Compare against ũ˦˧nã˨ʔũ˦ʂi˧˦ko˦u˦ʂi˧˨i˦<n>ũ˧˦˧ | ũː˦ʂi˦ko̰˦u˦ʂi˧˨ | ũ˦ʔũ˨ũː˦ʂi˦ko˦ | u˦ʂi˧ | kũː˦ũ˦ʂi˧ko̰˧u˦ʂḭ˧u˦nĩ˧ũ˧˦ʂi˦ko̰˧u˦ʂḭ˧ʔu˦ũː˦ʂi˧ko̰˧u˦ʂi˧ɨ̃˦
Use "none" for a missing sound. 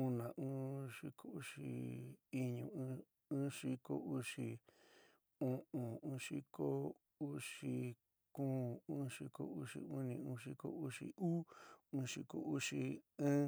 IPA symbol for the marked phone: ɲ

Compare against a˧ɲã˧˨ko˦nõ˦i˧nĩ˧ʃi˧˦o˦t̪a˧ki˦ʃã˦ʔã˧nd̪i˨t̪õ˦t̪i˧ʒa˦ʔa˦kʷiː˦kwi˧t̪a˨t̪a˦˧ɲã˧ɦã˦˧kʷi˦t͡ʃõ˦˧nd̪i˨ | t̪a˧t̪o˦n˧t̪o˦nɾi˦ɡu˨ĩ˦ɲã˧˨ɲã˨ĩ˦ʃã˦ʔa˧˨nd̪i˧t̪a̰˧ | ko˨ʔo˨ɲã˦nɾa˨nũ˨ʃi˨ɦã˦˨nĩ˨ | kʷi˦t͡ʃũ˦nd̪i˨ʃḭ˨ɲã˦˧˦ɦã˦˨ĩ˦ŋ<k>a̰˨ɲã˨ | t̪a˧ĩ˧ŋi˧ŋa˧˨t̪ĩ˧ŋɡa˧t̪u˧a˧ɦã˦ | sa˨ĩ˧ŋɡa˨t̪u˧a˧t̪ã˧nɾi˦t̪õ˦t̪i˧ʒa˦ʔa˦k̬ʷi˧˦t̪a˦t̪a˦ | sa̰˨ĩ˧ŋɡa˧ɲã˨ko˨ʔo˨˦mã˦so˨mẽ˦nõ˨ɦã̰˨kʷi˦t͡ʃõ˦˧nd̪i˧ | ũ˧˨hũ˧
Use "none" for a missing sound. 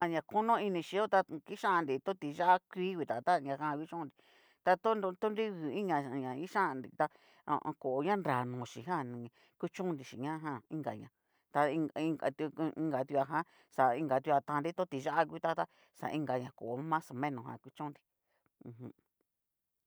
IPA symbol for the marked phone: ɡ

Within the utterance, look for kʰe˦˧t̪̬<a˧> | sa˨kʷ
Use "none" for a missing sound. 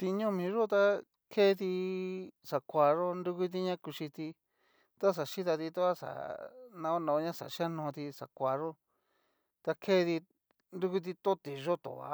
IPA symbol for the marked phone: i˧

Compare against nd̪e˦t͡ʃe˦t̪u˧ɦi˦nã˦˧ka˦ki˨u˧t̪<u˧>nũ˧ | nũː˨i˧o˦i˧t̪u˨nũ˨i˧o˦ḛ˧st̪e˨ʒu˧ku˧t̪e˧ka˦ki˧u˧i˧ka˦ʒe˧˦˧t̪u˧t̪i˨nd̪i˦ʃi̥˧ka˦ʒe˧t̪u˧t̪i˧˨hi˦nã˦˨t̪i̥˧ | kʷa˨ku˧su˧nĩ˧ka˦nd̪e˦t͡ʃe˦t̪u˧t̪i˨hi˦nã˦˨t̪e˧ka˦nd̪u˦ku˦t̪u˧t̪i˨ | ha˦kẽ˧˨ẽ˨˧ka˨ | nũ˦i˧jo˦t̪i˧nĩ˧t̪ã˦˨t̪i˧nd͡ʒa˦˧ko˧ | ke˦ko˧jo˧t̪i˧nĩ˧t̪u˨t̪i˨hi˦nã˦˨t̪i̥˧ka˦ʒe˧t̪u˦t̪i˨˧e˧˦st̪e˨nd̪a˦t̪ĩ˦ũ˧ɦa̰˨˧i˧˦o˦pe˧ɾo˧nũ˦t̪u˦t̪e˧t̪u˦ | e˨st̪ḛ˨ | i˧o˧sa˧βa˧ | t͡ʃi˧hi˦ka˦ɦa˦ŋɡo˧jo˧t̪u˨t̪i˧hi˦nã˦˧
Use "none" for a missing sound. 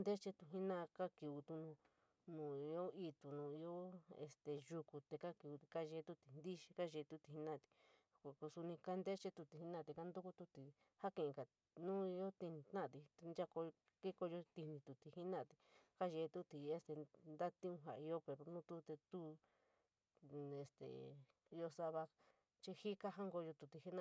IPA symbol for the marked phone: u˧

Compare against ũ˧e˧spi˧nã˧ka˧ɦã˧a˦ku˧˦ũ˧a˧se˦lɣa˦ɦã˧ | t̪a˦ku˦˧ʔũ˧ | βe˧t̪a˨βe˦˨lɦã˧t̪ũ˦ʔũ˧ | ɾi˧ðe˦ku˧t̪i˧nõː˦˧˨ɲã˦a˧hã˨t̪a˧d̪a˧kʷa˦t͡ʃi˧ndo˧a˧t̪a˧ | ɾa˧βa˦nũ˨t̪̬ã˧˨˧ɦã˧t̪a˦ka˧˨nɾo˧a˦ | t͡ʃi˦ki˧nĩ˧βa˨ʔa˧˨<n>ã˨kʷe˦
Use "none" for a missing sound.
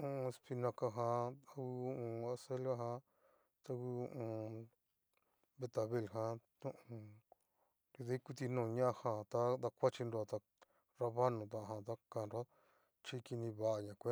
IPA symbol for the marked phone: ɲ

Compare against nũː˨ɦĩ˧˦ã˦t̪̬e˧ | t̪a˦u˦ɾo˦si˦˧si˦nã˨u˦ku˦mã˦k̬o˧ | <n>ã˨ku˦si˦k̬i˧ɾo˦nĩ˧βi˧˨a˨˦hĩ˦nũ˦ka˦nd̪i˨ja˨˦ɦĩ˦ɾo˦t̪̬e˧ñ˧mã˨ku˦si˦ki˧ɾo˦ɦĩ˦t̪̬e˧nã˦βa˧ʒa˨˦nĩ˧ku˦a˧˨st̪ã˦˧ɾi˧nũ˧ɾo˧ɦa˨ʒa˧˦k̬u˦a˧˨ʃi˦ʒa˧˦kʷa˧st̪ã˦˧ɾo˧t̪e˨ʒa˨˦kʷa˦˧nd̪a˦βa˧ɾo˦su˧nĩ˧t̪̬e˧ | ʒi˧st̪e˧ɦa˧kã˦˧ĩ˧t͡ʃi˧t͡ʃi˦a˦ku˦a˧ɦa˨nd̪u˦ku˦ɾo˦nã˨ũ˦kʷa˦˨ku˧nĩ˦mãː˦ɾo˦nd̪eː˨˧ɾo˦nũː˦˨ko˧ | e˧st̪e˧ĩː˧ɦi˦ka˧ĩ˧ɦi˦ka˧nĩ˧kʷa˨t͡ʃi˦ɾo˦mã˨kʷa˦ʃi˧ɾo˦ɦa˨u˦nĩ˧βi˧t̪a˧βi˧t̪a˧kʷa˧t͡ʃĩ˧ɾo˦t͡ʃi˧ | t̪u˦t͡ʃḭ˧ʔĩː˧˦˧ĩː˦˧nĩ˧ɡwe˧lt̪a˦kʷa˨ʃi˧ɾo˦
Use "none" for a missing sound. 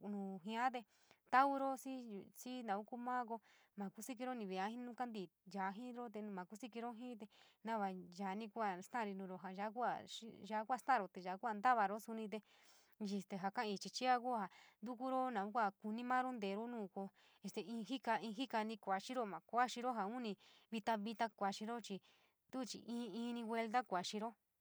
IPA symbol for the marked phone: m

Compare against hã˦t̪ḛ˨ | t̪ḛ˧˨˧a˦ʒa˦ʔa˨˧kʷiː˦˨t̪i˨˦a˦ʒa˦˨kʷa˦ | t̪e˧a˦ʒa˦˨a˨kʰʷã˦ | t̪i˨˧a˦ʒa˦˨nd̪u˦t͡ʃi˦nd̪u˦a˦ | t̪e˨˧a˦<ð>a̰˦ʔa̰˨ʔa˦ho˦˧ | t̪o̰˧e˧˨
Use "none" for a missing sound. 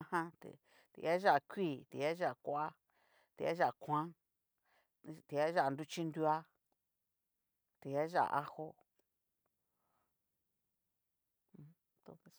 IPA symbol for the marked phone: ʒ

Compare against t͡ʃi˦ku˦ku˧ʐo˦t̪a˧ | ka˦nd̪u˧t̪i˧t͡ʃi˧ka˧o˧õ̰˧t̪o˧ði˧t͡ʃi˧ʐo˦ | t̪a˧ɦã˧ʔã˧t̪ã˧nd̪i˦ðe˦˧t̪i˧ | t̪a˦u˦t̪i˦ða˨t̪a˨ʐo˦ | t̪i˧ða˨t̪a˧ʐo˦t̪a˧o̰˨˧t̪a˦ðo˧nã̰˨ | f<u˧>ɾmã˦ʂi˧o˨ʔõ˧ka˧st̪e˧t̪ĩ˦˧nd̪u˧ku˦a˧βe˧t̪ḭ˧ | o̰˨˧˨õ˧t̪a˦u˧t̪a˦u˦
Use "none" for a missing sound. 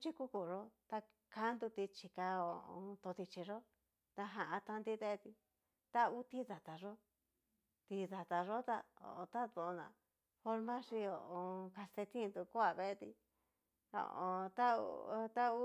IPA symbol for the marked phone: o˧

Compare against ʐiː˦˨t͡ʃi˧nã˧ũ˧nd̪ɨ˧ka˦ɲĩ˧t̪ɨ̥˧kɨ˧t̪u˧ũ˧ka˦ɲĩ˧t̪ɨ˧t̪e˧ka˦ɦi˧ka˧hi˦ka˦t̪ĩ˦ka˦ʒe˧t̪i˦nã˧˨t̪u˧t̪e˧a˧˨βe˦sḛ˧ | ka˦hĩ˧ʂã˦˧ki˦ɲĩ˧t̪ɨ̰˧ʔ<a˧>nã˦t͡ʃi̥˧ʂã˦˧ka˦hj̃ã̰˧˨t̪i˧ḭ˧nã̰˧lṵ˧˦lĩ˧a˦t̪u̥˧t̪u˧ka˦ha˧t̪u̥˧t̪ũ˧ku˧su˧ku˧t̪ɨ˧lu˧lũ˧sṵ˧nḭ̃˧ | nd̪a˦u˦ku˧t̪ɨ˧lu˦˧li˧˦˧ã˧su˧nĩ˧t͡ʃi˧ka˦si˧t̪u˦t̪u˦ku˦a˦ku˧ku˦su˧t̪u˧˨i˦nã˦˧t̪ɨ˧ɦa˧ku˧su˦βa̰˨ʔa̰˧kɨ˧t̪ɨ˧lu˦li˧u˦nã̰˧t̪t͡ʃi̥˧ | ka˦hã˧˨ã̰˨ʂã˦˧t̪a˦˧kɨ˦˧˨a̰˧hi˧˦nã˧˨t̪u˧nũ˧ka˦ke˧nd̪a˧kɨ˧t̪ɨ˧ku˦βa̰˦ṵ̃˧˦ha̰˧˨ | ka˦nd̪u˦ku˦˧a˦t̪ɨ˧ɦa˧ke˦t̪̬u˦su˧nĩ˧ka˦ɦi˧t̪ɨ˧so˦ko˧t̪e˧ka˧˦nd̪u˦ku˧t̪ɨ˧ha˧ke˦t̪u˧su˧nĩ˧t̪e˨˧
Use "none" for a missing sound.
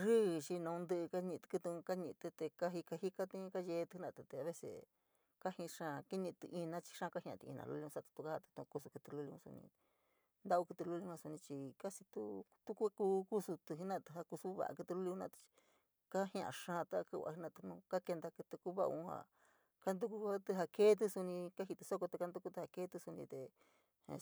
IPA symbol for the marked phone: i˧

